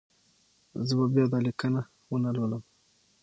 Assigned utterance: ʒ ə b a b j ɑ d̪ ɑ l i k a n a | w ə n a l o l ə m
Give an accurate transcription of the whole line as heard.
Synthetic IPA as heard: z ə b a b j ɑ d̪ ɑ l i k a n a | w ə n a l o l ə m